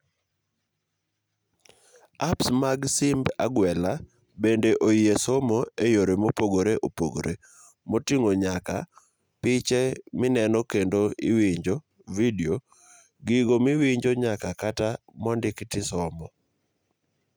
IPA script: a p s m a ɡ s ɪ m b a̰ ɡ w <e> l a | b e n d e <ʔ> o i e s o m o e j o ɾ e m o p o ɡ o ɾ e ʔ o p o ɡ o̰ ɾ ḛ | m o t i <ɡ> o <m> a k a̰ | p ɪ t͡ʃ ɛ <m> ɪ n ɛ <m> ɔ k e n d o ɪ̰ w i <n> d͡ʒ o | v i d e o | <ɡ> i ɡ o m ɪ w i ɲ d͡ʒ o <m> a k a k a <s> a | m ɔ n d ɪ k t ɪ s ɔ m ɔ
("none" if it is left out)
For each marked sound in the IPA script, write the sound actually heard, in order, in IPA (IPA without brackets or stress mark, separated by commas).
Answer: ɛ, ʔ, ŋ, ɲ, m, n, ɲ, ɡ, ɲ, t